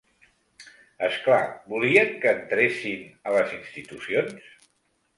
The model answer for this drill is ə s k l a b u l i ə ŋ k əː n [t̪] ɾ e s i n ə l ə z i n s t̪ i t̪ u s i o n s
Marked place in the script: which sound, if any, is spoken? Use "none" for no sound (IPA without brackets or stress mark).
t̪